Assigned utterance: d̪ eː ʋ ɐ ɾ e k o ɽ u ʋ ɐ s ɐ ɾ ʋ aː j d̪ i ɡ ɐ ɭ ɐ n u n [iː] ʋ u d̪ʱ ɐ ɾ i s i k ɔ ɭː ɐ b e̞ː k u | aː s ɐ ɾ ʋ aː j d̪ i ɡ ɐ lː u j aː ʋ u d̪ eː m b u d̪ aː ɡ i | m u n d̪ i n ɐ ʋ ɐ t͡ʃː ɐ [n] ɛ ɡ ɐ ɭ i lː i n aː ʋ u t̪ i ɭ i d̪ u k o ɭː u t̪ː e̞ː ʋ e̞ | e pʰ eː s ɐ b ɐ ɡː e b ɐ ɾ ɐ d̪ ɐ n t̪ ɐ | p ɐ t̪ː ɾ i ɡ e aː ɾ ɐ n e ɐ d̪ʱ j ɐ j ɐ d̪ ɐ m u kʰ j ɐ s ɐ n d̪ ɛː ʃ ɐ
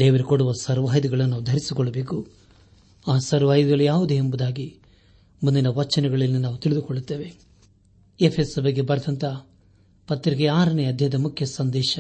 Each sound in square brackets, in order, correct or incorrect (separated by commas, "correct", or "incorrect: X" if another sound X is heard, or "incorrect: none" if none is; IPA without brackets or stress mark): incorrect: aː, correct